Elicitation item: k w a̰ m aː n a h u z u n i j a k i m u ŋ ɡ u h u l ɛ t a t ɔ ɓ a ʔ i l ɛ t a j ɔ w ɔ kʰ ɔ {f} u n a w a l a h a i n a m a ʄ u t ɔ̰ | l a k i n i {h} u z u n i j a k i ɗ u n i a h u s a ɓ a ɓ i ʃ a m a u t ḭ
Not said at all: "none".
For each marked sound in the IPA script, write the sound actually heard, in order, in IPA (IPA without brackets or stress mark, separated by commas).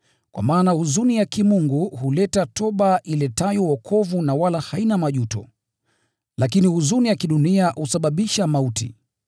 v, h